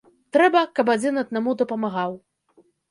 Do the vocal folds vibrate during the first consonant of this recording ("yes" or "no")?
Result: no